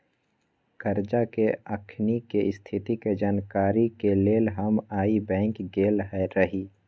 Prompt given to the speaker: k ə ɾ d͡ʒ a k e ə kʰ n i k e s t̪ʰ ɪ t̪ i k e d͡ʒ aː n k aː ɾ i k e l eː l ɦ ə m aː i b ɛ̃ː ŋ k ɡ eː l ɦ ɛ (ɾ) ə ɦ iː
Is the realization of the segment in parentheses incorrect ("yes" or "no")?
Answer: no